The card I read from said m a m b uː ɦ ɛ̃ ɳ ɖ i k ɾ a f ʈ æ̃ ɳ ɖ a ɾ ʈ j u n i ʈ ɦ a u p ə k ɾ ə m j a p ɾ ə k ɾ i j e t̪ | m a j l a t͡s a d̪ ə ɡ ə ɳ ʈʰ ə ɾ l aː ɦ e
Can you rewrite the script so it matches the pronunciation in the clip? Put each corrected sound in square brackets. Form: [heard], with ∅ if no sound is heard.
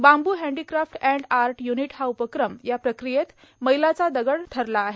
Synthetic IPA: [b] a m b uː ɦ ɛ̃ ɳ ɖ i k ɾ a f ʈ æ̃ ɳ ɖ a ɾ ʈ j u n i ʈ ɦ a u p ə k ɾ ə m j a p ɾ ə k ɾ i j e t̪ | m [ə] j l a t͡s a d̪ ə ɡ ə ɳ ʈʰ ə ɾ l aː ɦ e